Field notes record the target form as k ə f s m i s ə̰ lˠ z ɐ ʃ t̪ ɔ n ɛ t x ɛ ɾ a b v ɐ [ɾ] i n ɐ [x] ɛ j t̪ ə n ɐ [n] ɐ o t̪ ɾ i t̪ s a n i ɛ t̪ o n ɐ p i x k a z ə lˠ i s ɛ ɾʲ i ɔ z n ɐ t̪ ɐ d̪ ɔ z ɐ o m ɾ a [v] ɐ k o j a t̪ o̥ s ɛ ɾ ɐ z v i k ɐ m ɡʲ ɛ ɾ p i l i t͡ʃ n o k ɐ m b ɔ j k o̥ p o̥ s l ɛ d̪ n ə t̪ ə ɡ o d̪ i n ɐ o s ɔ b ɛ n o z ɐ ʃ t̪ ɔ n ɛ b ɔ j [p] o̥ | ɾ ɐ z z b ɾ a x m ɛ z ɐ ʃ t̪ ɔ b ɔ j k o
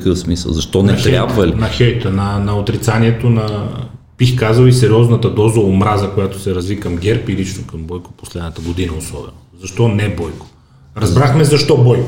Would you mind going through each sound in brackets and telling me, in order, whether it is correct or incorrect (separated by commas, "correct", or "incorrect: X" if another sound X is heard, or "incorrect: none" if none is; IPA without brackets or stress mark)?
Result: incorrect: l, correct, correct, incorrect: z, incorrect: k